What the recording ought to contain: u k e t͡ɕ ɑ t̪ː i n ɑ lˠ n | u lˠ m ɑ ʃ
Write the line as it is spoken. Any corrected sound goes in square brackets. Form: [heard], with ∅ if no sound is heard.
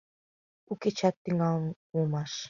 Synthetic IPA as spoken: u k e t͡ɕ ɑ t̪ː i [ŋ] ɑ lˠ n | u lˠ m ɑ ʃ